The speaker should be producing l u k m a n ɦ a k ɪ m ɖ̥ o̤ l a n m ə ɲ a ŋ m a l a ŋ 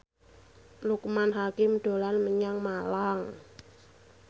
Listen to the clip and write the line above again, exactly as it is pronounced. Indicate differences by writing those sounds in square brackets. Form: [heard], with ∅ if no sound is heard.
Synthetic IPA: l u k m a n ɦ a k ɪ m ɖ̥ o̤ l a n m ə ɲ a ŋ m a l a ŋ